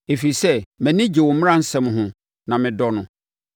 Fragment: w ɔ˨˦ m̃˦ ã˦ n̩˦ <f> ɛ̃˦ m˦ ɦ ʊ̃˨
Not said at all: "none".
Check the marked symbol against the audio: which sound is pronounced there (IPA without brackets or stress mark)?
s